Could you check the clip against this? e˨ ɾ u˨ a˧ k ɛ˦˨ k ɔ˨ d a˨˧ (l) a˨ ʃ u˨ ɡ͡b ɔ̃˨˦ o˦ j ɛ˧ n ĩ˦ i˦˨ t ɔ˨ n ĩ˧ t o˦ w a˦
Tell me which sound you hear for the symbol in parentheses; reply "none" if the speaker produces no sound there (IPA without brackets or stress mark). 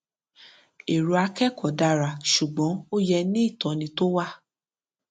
ɾ